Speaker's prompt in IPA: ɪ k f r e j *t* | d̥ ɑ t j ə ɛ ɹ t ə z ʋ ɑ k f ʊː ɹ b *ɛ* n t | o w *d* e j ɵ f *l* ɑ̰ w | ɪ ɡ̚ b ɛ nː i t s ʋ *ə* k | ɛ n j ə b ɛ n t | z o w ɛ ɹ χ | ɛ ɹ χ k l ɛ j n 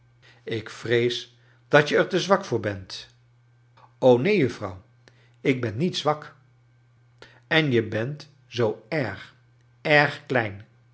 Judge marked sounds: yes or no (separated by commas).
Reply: no, yes, no, no, no